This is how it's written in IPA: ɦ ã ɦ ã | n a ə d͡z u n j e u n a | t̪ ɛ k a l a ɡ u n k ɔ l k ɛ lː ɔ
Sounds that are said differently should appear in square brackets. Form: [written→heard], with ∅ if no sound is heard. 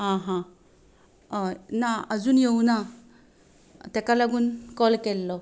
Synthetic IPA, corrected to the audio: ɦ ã ɦ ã | n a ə d͡z [u→uː] n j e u n a | t̪ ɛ k a l a ɡ [u→uː] n k ɔ l k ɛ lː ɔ